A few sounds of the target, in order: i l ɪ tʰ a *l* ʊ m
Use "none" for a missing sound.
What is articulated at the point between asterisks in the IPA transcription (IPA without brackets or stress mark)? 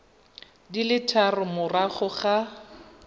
r